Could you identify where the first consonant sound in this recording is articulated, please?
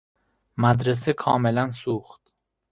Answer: labial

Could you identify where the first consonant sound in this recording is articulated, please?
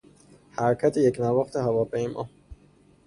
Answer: glottal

